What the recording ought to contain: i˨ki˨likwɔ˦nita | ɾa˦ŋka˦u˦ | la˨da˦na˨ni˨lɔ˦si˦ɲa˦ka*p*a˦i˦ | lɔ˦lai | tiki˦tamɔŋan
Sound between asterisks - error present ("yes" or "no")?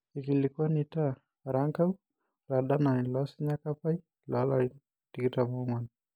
no